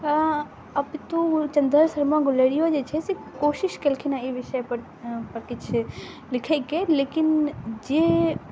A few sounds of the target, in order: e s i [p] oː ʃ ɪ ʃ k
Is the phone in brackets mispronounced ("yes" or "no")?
yes